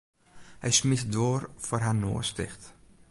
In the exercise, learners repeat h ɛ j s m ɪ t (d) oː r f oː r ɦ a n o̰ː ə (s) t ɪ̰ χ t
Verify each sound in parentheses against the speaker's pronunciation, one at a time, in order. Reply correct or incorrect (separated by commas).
correct, correct